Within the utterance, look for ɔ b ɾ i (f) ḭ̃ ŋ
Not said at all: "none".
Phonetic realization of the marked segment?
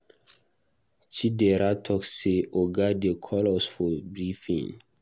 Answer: f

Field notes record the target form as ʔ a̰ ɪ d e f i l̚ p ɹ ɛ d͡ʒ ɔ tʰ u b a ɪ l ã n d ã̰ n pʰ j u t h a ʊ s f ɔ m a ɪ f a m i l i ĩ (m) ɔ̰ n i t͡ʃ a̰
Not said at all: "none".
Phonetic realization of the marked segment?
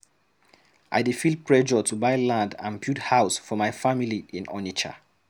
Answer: n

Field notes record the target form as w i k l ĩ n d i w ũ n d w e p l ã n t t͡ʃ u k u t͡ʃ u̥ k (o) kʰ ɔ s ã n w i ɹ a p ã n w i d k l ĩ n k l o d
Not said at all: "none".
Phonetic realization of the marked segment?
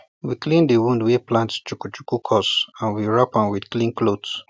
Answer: u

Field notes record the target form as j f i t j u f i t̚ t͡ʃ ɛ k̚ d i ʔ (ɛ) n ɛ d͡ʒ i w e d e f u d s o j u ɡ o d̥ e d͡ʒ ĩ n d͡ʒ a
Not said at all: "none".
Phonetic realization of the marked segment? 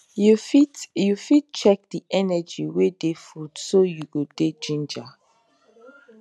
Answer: ɛ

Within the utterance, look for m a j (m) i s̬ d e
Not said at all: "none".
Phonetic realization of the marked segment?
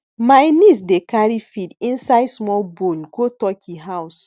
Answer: n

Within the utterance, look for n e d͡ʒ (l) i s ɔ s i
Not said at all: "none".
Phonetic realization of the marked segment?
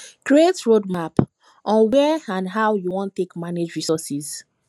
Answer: ɹ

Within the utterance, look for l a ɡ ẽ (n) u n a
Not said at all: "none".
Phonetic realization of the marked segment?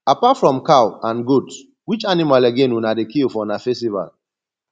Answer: n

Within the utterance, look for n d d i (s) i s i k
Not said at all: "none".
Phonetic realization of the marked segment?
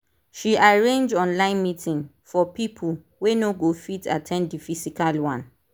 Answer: f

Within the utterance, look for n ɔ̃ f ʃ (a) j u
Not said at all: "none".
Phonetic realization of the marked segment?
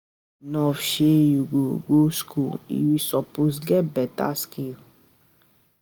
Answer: e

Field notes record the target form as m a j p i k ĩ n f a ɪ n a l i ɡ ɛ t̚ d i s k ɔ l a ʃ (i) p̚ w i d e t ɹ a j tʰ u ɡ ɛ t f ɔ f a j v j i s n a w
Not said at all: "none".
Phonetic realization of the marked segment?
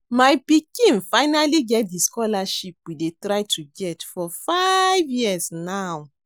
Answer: i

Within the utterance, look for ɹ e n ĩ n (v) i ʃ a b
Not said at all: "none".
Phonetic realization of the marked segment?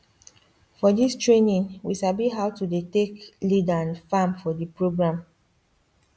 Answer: w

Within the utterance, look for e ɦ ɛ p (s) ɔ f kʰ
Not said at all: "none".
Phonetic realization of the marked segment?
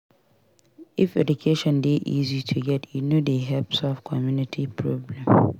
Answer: s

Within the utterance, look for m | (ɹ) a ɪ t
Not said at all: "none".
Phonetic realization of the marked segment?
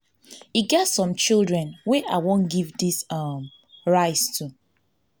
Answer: ɹ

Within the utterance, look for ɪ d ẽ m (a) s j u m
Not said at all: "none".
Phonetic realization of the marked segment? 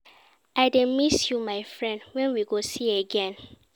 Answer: i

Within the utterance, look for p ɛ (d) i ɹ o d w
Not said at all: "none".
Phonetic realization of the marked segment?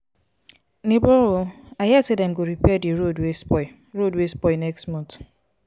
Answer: d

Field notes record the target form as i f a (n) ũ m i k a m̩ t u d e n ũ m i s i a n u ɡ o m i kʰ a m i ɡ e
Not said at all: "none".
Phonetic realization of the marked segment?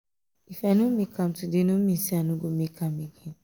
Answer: n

